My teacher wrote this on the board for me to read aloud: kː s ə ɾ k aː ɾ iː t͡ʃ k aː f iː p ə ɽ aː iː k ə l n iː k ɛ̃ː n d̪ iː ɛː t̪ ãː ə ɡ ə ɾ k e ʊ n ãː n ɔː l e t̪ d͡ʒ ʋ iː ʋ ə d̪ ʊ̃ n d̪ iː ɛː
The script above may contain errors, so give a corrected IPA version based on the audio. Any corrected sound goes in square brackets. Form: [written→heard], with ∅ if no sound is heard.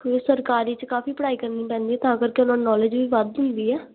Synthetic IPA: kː s ə ɾ k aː ɾ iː t͡ʃ k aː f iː p ə ɽ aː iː k ə [l→ɾ] n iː [k→p] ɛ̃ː n d̪ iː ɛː t̪ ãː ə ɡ ə ɾ k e ʊ n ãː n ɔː l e [t̪→∅] d͡ʒ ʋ iː ʋ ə d̪ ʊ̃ n d̪ iː ɛː

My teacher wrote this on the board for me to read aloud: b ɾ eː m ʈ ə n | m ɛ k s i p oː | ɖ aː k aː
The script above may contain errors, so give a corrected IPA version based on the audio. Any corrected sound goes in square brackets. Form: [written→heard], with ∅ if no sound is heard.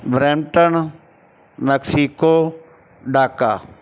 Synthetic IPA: b ɾ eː m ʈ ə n | m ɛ k s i [p→k] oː | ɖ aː k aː

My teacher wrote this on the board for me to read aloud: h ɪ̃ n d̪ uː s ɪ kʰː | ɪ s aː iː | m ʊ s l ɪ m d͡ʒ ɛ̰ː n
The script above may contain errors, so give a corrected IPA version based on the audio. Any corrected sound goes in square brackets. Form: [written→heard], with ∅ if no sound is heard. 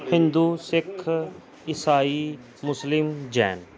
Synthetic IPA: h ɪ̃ n d̪ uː s ɪ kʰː | ɪ s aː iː | m ʊ s l ɪ m d͡ʒ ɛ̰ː n

